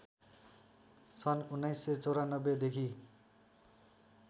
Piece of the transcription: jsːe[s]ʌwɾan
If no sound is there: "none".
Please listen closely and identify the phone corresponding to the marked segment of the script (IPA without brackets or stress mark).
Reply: t͡s